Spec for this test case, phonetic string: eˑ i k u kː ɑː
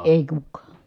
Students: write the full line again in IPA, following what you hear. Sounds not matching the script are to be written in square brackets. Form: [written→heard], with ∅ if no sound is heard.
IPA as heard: eˑ i k u kː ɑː